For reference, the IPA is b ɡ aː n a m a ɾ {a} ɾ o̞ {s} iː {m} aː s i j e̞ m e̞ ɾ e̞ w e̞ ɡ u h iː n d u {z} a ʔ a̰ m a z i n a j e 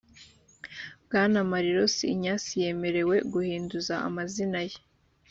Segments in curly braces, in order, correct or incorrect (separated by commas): incorrect, correct, incorrect, correct